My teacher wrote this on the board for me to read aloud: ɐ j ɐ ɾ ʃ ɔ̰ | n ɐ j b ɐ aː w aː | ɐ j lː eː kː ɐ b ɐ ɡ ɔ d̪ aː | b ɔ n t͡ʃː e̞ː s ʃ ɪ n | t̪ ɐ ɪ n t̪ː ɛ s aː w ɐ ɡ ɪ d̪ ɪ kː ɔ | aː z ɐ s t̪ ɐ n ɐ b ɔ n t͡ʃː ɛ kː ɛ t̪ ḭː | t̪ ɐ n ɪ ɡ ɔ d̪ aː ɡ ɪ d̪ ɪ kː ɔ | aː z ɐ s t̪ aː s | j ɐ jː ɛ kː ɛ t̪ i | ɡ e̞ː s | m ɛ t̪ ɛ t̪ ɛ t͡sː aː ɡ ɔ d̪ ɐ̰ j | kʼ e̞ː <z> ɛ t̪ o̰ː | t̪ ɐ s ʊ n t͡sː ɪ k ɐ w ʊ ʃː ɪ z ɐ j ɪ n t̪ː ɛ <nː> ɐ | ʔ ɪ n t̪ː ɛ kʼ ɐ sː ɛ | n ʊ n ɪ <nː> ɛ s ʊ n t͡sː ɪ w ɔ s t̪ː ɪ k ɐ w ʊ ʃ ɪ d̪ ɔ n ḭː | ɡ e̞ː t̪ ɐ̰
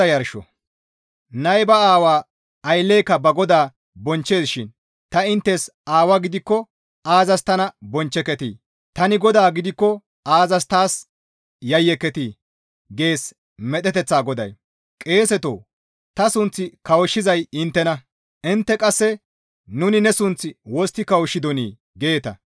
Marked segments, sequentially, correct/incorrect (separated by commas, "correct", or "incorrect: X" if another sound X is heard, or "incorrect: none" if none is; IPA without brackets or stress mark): incorrect: s, incorrect: n, incorrect: n